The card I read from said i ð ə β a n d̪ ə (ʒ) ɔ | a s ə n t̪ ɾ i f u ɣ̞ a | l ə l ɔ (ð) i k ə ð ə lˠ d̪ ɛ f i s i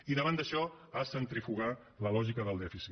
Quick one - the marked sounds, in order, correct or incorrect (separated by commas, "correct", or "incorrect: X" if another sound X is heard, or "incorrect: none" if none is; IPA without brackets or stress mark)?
incorrect: ʃ, incorrect: ʒ